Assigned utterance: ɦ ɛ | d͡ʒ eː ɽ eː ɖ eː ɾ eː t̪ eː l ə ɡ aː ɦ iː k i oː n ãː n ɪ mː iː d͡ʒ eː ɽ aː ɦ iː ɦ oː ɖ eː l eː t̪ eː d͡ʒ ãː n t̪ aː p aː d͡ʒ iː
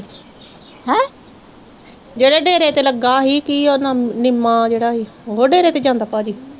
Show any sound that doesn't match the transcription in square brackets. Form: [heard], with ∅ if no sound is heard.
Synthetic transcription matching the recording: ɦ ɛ | d͡ʒ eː ɽ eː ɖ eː ɾ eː t̪ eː l ə ɡ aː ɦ iː k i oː n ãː n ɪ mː [aː] d͡ʒ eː ɽ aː ɦ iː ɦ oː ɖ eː [ɾ] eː t̪ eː d͡ʒ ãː n [d̪] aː p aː d͡ʒ iː